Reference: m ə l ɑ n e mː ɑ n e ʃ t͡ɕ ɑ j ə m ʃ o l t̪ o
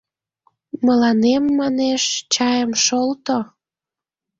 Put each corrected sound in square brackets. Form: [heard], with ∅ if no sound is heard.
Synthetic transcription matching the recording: m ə l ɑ n e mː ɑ n e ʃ t͡ɕ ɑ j ə m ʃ o l t̪ o